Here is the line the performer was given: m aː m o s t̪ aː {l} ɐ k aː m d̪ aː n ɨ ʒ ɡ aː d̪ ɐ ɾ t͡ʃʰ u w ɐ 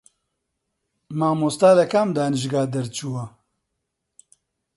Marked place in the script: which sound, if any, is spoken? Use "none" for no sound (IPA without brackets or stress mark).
l